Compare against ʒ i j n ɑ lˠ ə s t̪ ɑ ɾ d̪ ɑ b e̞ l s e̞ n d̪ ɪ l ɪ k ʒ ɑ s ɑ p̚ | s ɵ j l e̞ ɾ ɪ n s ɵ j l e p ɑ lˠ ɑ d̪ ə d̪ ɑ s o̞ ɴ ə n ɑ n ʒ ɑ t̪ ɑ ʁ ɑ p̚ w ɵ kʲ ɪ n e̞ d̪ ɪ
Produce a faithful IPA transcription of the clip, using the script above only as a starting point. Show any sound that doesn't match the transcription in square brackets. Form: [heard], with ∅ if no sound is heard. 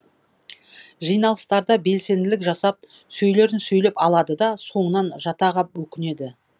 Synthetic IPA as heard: ʒ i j n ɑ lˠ ə s t̪ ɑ ɾ d̪ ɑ b e̞ l s e̞ n d̪ ɪ l ɪ k ʒ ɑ s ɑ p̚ | s ɵ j l e̞ ɾ ɪ n s ɵ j l e p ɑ lˠ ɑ d̪ ə d̪ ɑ s o̞ ɴ ə n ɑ n ʒ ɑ t̪ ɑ ʁ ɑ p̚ w ɵ kʲ ɪ n e̞ d̪ ɪ